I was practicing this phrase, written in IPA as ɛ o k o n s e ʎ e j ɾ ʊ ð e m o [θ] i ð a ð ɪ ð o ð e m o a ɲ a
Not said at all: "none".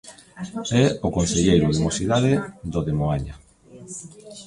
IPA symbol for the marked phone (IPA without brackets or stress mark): s